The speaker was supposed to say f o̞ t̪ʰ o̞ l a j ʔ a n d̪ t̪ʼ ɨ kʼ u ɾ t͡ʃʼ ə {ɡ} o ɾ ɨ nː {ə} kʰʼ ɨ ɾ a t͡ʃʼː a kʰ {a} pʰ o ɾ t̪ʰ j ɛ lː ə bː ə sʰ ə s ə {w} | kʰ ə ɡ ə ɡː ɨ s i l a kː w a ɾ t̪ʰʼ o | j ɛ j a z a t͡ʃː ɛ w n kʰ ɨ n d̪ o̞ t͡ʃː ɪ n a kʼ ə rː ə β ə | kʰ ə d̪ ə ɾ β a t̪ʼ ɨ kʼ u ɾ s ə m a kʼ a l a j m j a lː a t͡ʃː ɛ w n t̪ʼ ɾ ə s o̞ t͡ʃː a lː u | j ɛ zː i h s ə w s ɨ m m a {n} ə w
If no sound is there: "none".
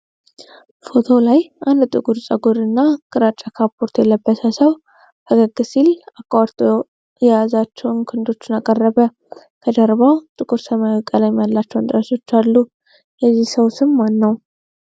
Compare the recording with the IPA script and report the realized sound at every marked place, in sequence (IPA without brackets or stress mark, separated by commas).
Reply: ɡ, a, a, w, nː